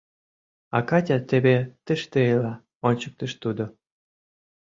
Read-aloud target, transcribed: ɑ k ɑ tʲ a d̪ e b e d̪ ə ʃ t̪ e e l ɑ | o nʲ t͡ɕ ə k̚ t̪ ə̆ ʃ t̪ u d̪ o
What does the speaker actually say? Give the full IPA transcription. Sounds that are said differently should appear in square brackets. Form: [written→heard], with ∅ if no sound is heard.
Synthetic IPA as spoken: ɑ k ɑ tʲ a [d̪→t̪] e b e [d̪→t̪] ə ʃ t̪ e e l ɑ | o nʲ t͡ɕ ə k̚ t̪ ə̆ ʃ t̪ u d̪ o